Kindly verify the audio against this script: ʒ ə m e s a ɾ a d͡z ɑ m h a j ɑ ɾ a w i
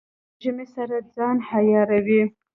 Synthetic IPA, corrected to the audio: ʒ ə m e s a ɾ a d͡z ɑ n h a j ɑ ɾ a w i